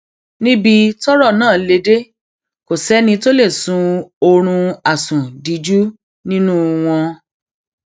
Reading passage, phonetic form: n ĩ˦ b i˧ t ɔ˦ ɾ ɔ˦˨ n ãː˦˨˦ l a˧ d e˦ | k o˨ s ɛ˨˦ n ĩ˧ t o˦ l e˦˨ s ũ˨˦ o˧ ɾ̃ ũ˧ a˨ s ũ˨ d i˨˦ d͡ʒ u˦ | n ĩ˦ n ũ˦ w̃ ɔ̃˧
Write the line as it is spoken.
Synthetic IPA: n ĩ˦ b i˧ t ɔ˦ ɾ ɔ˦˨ n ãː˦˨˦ l e˧ d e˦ | k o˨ s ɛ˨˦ n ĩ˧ t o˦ l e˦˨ s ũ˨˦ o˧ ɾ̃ ũ˧ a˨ s ũ˨ d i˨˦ d͡ʒ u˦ | n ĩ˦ n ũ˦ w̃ ɔ̃˧